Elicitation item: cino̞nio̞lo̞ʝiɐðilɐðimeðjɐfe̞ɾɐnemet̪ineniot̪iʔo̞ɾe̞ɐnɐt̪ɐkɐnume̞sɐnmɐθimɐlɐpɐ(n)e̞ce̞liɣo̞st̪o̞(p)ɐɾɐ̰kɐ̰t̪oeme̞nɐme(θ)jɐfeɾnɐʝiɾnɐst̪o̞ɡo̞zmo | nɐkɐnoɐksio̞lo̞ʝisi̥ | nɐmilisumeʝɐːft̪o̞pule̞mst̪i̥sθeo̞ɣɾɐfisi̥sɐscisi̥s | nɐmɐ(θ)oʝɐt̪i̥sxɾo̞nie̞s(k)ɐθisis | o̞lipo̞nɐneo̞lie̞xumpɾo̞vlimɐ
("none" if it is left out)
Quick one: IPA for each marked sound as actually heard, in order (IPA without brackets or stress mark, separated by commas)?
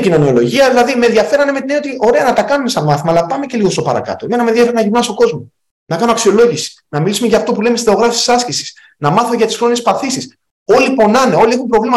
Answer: m, p, ð, θ, p